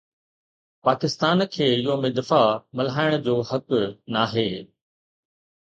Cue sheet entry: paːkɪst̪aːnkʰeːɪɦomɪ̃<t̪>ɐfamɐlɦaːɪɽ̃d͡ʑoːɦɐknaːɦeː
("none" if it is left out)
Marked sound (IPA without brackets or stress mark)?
d̪